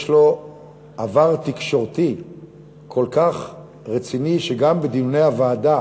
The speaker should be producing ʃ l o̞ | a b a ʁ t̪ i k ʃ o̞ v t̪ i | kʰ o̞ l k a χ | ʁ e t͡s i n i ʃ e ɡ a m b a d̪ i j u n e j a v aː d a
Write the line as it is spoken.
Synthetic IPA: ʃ l o̞ | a v a ʁ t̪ i k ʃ o̞ ʁ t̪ i | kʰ o̞ l k a χ | ʁ e t͡s i n i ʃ e ɡ a m b e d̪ i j u n e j a v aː d a